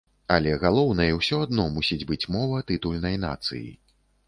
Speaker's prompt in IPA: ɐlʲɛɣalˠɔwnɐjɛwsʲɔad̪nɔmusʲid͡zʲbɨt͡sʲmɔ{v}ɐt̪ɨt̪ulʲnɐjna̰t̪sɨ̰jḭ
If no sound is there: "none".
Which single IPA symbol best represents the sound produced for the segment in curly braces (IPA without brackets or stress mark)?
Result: v